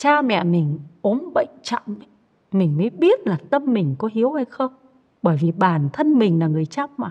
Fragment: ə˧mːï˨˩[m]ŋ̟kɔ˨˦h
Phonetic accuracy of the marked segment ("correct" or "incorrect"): incorrect